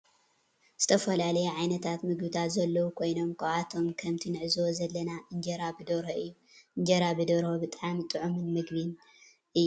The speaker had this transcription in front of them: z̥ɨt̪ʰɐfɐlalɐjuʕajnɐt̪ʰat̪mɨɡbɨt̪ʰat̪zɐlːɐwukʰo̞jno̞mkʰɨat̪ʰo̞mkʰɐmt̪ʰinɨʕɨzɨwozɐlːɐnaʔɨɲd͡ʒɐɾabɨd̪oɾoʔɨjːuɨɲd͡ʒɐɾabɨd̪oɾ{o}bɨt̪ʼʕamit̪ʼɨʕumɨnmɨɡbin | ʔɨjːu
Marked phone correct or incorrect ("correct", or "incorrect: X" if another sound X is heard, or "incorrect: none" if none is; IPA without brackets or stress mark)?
correct